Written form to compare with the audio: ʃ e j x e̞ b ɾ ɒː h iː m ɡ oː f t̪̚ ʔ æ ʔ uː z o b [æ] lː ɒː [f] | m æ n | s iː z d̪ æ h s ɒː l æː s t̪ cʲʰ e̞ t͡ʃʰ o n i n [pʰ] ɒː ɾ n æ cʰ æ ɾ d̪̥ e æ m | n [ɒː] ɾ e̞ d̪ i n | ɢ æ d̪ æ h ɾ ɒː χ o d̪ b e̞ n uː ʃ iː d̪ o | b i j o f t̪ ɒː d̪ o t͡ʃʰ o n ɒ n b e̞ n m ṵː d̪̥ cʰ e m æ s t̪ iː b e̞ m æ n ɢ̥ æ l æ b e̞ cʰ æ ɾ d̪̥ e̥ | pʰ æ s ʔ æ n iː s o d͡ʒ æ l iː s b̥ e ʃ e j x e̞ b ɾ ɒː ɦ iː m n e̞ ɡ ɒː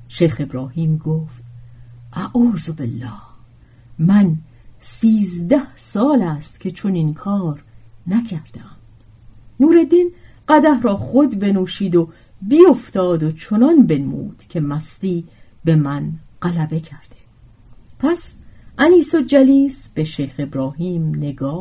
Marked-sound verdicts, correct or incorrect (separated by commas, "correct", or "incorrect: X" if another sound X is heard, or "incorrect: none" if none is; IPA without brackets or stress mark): incorrect: e, incorrect: h, incorrect: kʰ, incorrect: uː